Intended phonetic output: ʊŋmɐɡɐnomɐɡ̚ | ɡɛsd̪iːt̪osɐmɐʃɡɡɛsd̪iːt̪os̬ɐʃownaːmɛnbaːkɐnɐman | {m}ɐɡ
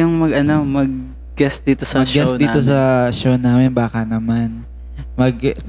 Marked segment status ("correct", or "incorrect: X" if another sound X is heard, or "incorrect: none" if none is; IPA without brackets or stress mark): correct